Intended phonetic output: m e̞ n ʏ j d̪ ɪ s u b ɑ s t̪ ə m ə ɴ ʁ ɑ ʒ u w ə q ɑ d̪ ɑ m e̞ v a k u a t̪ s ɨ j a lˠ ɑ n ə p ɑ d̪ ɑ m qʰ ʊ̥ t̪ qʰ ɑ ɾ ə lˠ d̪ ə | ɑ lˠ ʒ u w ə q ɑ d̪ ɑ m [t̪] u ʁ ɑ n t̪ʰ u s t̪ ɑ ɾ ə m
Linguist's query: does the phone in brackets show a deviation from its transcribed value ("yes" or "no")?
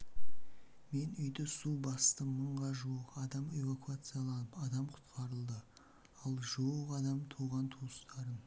yes